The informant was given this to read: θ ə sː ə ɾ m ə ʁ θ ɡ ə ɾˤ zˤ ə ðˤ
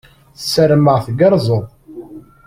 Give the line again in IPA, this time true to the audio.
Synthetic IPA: θ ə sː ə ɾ m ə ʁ θ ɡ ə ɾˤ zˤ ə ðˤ

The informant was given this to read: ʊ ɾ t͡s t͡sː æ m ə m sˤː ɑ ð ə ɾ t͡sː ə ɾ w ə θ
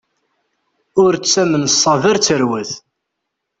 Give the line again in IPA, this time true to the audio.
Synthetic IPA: ʊ ɾ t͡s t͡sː æ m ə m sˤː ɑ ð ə ɾ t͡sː ə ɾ w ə θ

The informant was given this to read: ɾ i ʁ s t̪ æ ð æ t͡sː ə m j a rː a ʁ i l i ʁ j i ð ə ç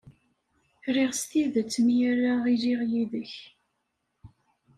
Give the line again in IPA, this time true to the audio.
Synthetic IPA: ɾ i ʁ s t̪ i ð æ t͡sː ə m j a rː a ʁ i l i ʁ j i ð ə ç

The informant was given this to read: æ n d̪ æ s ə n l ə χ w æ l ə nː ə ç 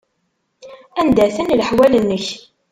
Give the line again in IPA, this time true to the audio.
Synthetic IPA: æ n d̪ æ θ ə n l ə ħ w æ l ə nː ə ç

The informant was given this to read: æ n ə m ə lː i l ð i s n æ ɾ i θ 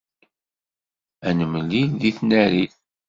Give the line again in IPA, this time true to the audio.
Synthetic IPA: æ n ə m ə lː i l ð i θ n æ ɾ i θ

